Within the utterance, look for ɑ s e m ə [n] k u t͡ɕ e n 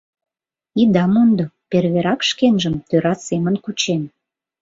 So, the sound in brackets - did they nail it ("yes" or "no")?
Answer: yes